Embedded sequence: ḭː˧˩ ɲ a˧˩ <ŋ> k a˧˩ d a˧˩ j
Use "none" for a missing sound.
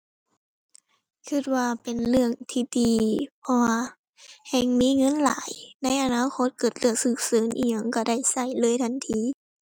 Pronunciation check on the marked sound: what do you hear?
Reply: ŋ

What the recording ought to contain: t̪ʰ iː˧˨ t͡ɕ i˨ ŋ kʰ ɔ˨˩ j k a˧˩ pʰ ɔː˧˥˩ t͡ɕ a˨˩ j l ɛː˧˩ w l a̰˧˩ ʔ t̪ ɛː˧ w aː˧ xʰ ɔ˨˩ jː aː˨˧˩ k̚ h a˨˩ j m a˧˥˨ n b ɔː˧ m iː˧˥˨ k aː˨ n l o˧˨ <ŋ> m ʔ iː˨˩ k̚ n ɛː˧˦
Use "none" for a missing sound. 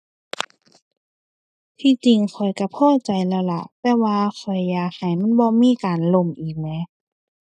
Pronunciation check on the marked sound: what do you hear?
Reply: none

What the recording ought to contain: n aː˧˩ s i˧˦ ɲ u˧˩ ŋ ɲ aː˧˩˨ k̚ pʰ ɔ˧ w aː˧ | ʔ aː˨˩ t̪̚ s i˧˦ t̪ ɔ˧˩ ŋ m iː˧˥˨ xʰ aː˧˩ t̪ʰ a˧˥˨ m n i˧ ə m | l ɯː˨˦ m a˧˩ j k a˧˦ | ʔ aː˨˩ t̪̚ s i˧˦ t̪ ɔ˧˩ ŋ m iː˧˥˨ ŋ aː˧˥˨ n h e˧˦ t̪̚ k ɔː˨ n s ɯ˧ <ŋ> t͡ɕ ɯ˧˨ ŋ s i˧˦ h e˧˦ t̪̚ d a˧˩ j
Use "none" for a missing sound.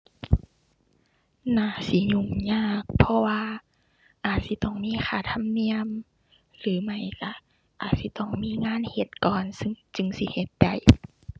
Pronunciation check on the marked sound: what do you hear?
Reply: ŋ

